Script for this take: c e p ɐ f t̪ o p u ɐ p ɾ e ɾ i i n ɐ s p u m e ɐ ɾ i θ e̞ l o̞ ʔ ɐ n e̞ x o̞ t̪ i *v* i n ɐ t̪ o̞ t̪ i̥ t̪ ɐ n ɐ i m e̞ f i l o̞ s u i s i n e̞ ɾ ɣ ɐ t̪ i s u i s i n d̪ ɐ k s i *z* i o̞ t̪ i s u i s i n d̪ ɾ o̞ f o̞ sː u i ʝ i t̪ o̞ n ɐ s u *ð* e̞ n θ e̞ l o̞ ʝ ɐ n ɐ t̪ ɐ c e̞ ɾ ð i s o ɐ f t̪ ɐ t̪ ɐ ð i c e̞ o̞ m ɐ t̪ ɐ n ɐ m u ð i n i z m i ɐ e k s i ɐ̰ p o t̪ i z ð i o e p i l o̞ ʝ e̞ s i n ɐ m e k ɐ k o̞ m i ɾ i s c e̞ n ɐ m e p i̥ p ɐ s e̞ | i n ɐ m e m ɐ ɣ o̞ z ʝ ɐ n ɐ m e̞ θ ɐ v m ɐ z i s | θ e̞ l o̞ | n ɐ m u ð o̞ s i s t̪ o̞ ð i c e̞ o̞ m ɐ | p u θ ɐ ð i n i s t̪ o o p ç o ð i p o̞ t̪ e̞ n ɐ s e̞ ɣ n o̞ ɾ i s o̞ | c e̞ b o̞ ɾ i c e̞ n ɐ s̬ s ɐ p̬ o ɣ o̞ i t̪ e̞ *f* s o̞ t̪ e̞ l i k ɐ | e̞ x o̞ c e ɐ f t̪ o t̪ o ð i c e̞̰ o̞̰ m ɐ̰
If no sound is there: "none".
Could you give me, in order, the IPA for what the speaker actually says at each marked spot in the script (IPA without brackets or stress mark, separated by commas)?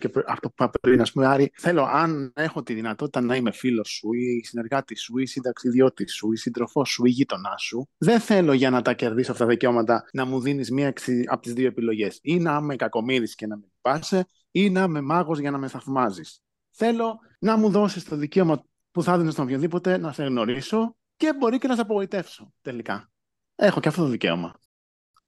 ð, ð, ð, f